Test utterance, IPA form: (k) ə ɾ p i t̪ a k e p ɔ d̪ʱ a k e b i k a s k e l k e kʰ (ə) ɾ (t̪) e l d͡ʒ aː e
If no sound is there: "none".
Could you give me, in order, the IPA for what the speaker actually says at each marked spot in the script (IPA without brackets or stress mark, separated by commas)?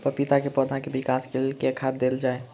p, a, d̪